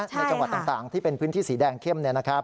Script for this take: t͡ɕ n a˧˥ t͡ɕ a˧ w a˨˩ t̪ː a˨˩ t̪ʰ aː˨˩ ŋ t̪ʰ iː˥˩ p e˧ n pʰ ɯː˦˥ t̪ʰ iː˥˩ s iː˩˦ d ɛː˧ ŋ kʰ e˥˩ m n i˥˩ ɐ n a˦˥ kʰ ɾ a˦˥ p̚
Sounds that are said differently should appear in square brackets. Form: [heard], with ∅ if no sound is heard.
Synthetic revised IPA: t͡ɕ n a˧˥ t͡ɕ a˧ w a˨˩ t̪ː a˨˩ [t̪] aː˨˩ ŋ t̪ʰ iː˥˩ p e˧ n pʰ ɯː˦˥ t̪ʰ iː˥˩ s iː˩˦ d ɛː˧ ŋ kʰ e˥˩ m n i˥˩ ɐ n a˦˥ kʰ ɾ a˦˥ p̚

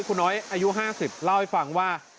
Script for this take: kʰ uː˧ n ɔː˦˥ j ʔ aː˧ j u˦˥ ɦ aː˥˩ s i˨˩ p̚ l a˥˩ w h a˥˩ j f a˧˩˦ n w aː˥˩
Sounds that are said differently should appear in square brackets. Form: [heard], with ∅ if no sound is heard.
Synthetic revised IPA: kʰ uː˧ n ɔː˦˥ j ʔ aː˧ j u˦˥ ɦ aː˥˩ s i˨˩ p̚ l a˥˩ w h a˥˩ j f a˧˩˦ [ŋ] w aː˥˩

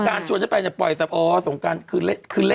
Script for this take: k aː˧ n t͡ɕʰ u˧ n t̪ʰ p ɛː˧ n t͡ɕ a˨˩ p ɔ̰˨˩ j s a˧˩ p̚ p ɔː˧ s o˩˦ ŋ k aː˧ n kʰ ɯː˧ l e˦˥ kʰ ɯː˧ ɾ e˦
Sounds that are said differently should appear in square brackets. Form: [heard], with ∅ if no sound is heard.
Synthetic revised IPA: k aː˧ n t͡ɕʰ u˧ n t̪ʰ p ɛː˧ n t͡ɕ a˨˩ p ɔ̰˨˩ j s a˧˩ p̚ [ʔ] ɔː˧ s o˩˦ ŋ k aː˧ n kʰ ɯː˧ l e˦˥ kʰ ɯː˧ [l] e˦

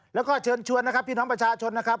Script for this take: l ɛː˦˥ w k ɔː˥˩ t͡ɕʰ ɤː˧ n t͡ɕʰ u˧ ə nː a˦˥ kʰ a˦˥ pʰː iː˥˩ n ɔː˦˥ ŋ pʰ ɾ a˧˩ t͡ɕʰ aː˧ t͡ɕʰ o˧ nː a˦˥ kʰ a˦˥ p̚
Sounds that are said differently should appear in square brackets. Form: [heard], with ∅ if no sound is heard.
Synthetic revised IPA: l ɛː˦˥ w k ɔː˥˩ t͡ɕʰ ɤː˧ n t͡ɕʰ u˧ ə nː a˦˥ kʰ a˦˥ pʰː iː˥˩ n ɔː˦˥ ŋ [p] ɾ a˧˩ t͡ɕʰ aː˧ t͡ɕʰ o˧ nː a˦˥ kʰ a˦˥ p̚

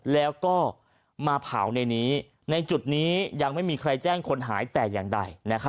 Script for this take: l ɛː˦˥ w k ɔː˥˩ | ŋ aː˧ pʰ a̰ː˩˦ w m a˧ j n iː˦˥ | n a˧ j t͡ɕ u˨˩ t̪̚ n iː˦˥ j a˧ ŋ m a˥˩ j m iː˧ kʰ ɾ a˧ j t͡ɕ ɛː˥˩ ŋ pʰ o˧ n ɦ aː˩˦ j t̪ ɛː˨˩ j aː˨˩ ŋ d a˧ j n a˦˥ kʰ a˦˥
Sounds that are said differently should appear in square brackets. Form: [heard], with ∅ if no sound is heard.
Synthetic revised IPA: l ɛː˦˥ w k ɔː˥˩ | [m] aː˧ pʰ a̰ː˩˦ w [n] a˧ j n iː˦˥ | n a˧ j t͡ɕ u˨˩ t̪̚ n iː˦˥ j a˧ ŋ m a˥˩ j m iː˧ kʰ ɾ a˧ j t͡ɕ ɛː˥˩ ŋ [kʰ] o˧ n ɦ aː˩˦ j t̪ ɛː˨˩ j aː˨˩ ŋ d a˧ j n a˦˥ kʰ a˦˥

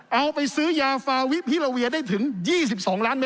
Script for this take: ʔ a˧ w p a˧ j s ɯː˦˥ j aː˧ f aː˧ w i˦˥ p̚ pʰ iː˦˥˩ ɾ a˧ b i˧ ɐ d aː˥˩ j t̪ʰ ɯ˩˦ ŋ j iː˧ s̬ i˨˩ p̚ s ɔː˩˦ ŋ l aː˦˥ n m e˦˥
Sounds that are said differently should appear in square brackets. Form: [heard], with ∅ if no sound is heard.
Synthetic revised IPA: ʔ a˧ w p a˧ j s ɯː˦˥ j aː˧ f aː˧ w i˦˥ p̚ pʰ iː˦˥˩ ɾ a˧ [w] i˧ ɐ d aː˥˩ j t̪ʰ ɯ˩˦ ŋ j [iː˥˩] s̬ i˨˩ p̚ s ɔː˩˦ ŋ l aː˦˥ n m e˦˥

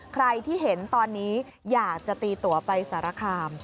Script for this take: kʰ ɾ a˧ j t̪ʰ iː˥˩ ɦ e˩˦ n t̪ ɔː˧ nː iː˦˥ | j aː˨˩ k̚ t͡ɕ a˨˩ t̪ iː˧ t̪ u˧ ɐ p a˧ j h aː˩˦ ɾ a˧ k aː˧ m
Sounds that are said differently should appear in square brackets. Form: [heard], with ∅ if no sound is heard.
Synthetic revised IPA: kʰ ɾ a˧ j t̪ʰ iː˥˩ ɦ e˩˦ n t̪ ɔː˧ nː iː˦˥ | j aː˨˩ k̚ t͡ɕ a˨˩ t̪ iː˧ t̪ [u˨˩] ɐ p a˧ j [s] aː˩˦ ɾ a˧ [kʰ] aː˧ m

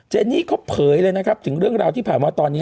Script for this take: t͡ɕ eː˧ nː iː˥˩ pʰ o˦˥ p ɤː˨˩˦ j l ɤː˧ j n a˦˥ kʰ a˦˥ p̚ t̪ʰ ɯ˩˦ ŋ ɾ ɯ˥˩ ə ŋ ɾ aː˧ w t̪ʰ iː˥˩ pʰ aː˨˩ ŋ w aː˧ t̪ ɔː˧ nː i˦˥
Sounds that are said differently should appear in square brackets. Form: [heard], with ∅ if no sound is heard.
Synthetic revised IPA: t͡ɕ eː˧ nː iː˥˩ [kʰ] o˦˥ [pʰ] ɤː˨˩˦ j l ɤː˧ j n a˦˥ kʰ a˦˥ p̚ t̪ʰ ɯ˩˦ ŋ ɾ ɯ˥˩ ə ŋ ɾ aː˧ w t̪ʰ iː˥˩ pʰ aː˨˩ [n] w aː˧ t̪ ɔː˧ nː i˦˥

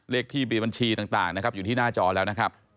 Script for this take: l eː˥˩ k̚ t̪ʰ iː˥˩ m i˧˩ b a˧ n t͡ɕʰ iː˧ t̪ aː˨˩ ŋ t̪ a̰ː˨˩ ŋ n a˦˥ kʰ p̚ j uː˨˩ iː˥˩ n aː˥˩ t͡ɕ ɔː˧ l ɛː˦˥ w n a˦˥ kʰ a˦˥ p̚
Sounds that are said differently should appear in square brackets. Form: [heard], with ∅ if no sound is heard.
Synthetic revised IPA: l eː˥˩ k̚ t̪ʰ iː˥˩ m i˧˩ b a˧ n t͡ɕʰ iː˧ t̪ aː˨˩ ŋ t̪ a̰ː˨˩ ŋ n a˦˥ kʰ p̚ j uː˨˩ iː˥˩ n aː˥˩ t͡ɕ ɔː˧ l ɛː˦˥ w n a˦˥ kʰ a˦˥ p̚

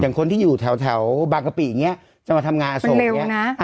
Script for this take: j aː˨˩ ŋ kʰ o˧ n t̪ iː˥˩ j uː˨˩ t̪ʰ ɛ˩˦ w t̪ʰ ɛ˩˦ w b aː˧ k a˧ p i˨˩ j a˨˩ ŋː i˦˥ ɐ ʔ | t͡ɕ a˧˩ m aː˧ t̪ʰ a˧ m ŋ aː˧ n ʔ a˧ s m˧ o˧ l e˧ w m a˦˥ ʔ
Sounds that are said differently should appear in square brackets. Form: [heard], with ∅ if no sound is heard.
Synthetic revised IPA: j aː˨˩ ŋ kʰ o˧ n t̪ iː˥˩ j uː˨˩ t̪ʰ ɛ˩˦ w t̪ʰ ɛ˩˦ w b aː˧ k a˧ p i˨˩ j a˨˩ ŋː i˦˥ ɐ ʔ | t͡ɕ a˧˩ m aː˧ t̪ʰ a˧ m ŋ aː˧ n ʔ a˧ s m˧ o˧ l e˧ w [n] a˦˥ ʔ

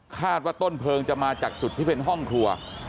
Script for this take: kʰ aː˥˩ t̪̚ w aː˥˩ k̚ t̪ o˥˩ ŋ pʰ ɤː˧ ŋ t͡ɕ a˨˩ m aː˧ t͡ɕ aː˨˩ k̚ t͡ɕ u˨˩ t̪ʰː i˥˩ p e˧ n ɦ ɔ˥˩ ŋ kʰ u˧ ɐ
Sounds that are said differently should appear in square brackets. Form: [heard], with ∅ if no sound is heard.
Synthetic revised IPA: kʰ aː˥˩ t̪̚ w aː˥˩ [∅] t̪ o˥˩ [n] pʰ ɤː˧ ŋ t͡ɕ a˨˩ m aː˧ t͡ɕ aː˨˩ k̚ t͡ɕ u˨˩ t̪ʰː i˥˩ p e˧ n ɦ ɔ˥˩ ŋ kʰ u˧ ɐ

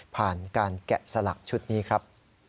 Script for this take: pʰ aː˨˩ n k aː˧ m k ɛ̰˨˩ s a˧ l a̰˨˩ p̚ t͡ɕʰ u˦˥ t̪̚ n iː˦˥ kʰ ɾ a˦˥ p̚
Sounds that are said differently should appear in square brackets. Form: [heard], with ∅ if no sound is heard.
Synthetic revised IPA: pʰ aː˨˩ n k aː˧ [n] k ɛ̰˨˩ s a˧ l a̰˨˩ [k̚] t͡ɕʰ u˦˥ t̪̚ n iː˦˥ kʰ ɾ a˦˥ p̚

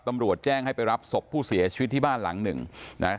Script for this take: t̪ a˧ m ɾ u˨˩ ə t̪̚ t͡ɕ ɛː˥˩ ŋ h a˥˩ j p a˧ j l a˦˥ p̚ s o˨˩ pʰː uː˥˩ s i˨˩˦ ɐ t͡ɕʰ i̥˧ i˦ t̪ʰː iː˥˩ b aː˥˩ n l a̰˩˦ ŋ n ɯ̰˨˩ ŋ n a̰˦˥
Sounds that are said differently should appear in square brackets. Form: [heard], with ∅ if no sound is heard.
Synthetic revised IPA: t̪ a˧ m ɾ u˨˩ ə t̪̚ t͡ɕ ɛː˥˩ ŋ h a˥˩ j p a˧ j [ɾ] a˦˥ p̚ s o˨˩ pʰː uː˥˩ s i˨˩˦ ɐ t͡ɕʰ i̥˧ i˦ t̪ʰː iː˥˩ b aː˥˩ n l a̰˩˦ ŋ n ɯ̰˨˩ ŋ n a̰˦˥

